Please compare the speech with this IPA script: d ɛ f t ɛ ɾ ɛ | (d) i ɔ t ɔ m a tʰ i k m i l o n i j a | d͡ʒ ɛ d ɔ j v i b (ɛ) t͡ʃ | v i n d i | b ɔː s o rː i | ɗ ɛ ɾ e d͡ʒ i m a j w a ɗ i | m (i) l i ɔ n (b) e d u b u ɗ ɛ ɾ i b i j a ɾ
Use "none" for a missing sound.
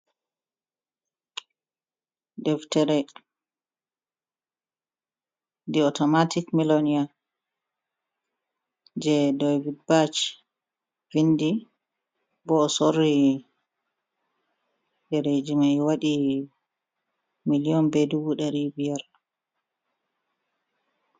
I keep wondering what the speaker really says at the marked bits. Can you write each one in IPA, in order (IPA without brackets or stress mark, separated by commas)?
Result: d, a, i, b